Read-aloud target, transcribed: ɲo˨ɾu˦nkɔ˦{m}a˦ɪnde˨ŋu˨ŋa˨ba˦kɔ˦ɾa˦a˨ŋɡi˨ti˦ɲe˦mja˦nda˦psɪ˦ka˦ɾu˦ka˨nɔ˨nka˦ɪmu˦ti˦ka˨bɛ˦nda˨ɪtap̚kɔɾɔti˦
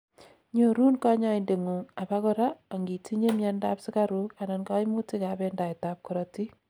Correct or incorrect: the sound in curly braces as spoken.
incorrect: ɲ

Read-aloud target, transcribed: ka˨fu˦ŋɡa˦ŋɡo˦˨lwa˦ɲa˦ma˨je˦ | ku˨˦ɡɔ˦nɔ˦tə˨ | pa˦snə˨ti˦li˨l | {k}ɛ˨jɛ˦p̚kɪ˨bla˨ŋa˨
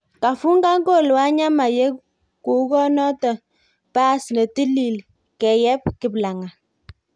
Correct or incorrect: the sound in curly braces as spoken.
correct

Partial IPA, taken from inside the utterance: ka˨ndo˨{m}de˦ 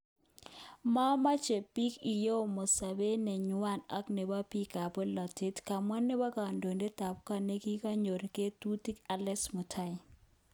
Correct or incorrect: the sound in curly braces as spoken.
incorrect: n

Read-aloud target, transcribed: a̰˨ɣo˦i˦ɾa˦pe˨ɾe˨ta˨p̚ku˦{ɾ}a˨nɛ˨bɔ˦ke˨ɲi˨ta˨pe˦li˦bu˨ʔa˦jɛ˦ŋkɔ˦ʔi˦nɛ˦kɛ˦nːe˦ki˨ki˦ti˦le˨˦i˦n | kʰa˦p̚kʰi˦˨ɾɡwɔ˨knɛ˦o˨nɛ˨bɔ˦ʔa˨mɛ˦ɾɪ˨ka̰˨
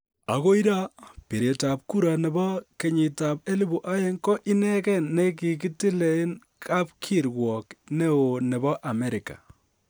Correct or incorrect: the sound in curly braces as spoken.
correct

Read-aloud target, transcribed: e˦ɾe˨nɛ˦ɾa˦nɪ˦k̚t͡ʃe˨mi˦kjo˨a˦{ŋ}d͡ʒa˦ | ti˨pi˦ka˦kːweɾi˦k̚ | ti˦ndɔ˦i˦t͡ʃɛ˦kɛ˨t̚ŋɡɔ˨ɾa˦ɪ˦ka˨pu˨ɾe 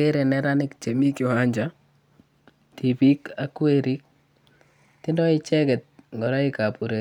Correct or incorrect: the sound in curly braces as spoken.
incorrect: ɲ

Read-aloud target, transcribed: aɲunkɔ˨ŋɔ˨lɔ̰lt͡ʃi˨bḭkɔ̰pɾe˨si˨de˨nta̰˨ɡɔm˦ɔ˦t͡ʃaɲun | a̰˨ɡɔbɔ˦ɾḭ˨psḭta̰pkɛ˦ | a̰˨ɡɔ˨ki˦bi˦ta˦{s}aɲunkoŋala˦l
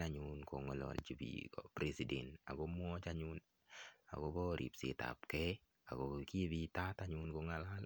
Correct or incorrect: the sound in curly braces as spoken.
incorrect: t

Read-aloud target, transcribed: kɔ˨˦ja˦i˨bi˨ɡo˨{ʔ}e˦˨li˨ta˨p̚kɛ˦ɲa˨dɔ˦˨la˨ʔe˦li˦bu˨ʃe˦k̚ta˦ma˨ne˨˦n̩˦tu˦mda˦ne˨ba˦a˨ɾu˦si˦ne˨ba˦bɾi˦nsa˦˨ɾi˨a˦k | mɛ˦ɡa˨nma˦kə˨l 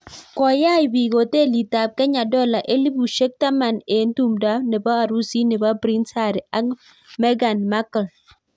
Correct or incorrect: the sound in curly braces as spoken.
incorrect: t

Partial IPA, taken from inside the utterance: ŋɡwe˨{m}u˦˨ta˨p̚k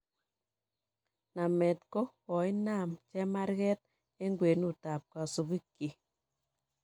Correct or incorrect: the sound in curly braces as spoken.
incorrect: n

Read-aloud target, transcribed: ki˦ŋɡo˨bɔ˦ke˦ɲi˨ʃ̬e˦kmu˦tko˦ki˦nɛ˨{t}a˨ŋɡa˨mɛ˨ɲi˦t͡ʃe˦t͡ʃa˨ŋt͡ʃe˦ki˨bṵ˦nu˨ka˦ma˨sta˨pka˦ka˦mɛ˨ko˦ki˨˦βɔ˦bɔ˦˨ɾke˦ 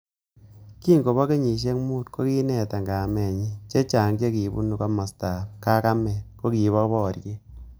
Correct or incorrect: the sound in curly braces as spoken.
correct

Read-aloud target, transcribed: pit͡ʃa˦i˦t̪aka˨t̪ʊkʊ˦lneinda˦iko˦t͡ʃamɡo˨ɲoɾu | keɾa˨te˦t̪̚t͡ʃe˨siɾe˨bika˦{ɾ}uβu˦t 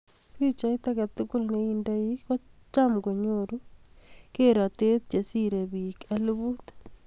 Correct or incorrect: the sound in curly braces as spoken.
incorrect: l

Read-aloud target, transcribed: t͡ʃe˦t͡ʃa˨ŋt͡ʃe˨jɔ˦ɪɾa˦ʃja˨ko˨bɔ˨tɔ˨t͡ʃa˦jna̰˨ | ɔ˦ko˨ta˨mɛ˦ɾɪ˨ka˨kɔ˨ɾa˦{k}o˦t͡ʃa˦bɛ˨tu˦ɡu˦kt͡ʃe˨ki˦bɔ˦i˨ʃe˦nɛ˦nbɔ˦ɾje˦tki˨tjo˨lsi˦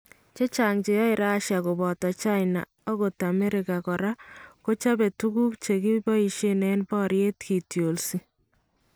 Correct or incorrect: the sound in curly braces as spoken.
correct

